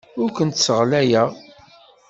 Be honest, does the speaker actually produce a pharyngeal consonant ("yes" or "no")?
no